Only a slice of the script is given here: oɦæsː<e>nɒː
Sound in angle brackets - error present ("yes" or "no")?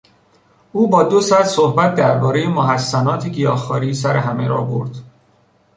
yes